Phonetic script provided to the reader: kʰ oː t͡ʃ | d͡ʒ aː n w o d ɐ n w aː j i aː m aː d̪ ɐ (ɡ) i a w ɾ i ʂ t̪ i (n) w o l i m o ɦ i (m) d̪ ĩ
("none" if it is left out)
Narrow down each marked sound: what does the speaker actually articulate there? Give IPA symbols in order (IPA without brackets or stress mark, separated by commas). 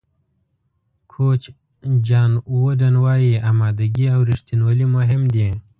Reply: ɡ, n, m